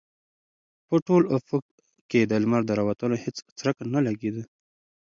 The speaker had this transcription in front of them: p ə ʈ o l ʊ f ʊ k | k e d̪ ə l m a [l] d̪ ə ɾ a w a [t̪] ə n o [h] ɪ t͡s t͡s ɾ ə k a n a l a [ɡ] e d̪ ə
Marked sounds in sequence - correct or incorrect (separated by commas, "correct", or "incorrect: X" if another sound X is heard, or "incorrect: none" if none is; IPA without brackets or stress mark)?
incorrect: ɾ, correct, correct, correct